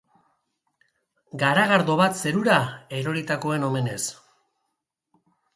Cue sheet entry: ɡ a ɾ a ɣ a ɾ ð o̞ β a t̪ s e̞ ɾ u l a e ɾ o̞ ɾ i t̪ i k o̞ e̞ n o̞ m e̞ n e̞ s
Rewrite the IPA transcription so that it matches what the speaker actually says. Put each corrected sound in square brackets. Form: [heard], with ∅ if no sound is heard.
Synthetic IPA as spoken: ɡ a ɾ a ɣ a ɾ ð o̞ β a t̪ s e̞ ɾ u [ɾ] a e ɾ o̞ ɾ i t̪ [a] k o̞ e̞ n o̞ m e̞ n e̞ s